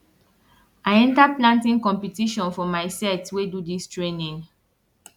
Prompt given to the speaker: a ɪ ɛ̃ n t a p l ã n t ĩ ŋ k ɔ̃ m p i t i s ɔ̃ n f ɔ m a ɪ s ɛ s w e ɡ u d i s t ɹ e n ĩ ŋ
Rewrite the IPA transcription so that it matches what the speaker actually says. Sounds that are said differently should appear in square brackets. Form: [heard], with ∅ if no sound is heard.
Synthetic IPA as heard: a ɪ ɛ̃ n t a p l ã n t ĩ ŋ k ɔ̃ m p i t i [ʃ] ɔ̃ n f ɔ m a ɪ s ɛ [t] w e [d] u d i s t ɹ e n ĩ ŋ